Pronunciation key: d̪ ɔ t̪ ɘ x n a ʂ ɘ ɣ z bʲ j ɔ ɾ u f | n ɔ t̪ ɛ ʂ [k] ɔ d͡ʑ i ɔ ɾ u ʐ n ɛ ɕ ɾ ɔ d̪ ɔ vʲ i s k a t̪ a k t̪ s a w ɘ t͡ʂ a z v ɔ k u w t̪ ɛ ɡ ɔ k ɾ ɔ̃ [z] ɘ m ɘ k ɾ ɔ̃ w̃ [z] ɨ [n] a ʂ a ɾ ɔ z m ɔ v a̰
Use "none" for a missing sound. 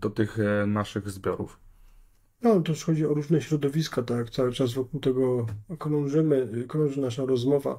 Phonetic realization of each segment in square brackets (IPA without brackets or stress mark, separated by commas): x, ʐ, ʐ, n